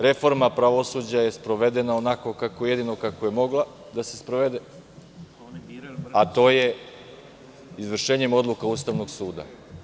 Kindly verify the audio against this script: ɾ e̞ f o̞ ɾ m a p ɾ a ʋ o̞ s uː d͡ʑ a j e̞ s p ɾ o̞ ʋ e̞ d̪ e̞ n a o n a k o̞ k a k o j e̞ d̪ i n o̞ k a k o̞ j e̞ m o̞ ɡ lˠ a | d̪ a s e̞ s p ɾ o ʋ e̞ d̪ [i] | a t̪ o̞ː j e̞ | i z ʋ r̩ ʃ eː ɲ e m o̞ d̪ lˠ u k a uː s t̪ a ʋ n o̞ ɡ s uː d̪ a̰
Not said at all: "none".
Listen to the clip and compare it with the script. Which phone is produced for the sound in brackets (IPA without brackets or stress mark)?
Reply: e